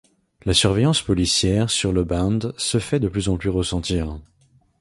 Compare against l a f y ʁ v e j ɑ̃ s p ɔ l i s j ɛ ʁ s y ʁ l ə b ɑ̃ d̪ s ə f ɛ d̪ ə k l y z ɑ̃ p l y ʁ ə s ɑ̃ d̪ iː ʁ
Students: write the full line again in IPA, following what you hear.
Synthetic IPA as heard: l a s y ʁ v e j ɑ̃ s p ɔ l i s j ɛ ʁ s y ʁ l ə b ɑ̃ d̪ s ə f ɛ d̪ ə p l y z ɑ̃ p l y ʁ ə s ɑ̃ t̪ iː ʁ